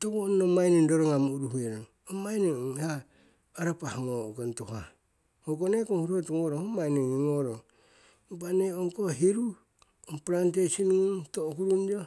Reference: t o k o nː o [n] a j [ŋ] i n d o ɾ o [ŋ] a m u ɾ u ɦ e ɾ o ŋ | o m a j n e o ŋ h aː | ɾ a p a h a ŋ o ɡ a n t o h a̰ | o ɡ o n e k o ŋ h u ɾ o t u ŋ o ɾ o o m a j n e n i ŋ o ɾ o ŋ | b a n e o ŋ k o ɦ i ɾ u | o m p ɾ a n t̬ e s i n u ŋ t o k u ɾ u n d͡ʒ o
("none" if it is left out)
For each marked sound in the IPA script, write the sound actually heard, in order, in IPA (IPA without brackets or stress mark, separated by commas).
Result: m, n, ŋ